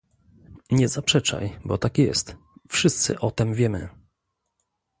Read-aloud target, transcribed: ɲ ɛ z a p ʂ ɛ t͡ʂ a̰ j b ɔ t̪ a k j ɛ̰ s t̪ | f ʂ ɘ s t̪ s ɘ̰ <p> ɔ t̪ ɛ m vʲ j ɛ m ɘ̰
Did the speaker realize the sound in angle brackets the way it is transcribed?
no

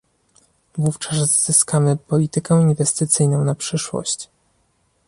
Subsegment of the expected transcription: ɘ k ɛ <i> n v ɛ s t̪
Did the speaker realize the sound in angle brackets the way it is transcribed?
yes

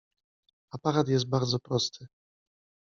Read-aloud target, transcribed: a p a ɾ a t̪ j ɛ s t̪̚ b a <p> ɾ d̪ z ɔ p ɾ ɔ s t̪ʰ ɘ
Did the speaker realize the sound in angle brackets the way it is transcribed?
no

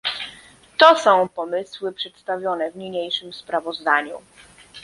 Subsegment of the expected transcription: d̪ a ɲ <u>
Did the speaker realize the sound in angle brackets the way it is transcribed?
yes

